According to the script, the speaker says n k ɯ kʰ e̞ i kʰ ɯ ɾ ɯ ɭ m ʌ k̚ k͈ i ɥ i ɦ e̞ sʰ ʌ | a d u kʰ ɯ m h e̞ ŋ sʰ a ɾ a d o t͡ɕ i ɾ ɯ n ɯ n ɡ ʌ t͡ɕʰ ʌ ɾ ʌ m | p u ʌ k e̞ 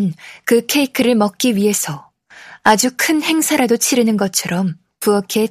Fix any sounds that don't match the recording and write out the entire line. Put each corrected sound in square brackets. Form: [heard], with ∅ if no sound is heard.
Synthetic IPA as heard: n k ɯ kʰ e̞ i kʰ ɯ ɾ ɯ ɭ m ʌ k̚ k͈ i ɥ i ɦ e̞ sʰ ʌ | a [d͡ʑ] u kʰ ɯ [n] h e̞ ŋ sʰ a ɾ a d o [t͡ɕʰ] i ɾ ɯ n ɯ n ɡ ʌ t͡ɕʰ ʌ ɾ ʌ m | p u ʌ [kʰ] e̞